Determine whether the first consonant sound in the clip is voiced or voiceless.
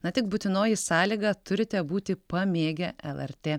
voiced